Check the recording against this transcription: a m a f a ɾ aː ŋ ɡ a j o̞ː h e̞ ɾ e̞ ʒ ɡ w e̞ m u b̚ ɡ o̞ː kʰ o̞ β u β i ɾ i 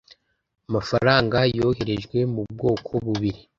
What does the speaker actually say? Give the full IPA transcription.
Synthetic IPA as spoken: a m a f a ɾ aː ŋ ɡ a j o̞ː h e̞ ɾ e̞ ʒ ɡ w e̞ m u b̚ ɡ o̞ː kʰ o̞ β u β i ɾ i